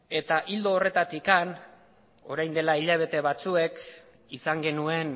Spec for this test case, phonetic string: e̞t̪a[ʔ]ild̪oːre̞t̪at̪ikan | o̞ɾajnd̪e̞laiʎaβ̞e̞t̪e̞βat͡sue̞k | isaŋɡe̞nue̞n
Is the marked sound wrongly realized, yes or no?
no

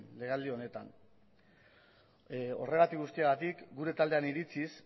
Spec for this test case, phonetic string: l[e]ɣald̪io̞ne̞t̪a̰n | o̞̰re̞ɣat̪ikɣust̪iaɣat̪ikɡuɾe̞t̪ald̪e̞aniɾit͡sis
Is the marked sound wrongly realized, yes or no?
no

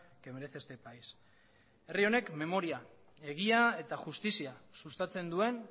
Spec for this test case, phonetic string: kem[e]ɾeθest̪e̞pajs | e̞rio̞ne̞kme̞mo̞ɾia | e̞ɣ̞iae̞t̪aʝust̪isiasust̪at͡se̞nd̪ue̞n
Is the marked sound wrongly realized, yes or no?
no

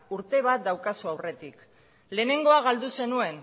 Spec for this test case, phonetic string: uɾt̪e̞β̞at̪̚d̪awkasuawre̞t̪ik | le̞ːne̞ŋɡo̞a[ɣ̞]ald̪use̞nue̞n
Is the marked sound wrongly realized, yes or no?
no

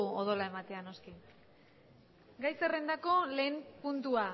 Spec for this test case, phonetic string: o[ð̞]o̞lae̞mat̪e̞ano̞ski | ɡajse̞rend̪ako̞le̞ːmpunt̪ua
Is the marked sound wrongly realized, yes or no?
no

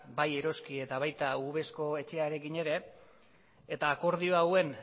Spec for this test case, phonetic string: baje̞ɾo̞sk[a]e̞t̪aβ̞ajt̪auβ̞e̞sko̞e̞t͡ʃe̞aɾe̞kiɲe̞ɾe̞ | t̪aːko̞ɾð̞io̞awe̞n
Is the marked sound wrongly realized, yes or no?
yes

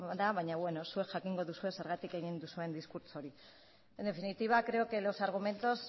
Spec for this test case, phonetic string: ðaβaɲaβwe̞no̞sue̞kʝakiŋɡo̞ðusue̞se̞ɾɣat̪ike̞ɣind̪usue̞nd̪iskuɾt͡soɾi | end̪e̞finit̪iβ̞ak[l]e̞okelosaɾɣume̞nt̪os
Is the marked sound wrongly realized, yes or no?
yes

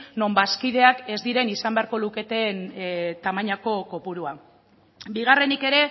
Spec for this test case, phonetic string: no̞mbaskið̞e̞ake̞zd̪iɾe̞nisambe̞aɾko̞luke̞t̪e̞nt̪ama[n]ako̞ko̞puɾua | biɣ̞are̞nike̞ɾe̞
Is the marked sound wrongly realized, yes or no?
yes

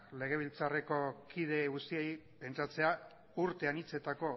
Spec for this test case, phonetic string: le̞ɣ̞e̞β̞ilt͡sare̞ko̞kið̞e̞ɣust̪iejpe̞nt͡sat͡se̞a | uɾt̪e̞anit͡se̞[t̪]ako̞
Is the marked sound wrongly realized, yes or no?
no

